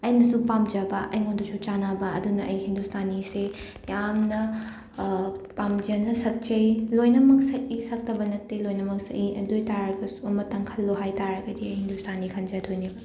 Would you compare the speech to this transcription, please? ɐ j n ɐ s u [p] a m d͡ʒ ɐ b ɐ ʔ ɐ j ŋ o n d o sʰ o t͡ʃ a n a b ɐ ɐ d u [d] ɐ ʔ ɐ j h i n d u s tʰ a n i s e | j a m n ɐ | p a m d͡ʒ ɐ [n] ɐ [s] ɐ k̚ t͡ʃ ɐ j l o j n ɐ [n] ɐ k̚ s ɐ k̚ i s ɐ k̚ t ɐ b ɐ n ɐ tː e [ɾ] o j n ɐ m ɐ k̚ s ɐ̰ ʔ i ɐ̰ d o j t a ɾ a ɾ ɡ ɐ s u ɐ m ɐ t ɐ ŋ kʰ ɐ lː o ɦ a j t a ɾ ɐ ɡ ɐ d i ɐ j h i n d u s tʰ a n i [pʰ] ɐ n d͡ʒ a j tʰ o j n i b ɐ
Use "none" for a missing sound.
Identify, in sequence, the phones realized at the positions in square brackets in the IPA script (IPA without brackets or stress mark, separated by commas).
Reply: p, n, n, s, m, l, kʰ